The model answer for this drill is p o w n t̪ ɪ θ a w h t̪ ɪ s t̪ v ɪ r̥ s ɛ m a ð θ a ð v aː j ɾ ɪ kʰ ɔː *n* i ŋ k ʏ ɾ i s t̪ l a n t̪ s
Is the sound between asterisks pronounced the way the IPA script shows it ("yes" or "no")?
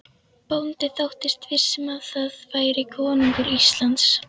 yes